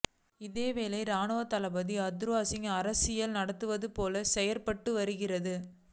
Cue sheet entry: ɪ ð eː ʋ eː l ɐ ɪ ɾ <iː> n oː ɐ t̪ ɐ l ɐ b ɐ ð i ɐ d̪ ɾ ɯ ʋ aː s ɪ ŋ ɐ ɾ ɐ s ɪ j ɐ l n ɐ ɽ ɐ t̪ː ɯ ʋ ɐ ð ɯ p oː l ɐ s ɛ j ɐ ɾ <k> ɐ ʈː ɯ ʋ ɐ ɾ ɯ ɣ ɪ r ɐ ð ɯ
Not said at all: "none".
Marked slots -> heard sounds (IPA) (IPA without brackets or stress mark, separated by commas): aː, p